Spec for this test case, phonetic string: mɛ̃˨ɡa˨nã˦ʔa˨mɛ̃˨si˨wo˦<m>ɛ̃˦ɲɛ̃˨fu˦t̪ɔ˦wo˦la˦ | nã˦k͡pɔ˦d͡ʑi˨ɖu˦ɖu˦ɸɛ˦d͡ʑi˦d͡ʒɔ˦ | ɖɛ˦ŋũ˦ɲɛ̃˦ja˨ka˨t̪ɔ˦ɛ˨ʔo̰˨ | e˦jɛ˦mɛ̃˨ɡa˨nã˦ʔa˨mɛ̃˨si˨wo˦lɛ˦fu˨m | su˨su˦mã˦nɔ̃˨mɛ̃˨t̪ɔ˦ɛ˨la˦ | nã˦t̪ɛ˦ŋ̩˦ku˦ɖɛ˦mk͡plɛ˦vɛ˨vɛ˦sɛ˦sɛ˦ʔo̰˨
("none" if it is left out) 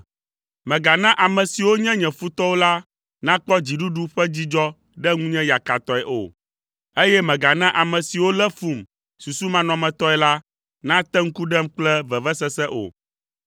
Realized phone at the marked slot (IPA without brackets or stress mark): ɲ